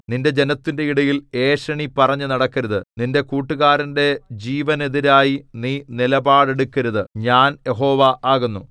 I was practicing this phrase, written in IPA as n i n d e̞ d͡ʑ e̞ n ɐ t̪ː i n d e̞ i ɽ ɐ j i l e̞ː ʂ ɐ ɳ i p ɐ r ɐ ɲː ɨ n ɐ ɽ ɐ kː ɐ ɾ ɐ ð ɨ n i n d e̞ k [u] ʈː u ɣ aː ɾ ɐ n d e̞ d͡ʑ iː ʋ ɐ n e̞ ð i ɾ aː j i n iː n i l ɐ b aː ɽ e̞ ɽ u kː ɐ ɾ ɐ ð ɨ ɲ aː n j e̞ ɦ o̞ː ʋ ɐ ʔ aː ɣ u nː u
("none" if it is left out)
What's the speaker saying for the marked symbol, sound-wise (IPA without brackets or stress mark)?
uː